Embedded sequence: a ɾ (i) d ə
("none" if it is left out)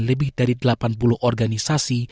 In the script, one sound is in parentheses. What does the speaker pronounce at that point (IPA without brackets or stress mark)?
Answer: i